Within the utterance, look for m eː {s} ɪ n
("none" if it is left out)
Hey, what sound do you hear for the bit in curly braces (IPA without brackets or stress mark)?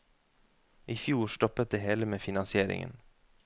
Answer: f